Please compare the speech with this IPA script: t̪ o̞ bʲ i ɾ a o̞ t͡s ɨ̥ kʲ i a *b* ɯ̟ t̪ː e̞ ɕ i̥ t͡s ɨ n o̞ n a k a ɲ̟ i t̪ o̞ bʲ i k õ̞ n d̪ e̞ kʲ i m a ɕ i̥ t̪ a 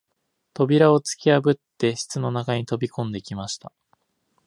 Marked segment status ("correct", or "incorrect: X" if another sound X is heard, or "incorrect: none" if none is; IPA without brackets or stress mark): correct